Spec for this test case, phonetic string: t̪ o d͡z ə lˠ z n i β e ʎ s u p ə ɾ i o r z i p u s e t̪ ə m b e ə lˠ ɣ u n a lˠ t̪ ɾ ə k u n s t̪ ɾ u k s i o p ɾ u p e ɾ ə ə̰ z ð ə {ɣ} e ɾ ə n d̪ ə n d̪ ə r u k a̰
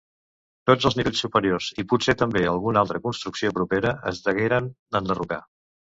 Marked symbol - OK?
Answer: yes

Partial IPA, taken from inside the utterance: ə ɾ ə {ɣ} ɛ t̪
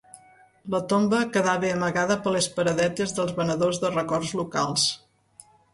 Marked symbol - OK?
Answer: no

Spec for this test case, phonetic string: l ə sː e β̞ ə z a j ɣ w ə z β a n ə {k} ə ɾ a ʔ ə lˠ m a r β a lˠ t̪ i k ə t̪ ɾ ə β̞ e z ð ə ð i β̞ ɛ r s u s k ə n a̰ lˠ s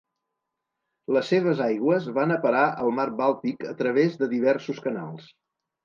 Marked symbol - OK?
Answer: no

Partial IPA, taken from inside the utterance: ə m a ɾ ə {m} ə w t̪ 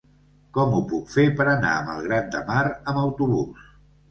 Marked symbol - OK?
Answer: yes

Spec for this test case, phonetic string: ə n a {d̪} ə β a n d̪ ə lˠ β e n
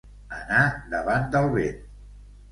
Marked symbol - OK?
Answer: yes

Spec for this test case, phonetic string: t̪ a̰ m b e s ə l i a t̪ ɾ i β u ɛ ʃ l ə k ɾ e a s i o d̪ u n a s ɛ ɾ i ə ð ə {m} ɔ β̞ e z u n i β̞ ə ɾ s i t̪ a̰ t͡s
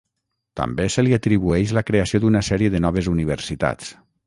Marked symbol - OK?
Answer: no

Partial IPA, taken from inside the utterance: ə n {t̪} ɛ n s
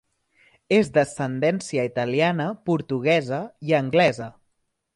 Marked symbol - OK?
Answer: no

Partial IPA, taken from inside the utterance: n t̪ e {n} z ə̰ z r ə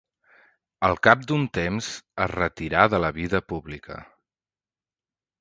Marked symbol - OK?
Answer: no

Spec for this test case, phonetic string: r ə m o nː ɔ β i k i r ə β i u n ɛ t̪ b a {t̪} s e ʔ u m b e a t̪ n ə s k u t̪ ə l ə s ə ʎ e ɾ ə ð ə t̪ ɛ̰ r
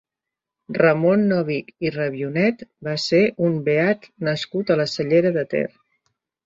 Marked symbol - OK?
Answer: no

